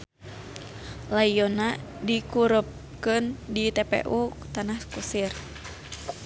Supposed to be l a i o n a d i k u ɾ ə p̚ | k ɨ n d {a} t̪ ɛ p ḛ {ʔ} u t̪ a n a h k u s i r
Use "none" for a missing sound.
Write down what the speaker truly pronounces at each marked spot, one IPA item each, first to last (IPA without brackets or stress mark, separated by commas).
i, ʔ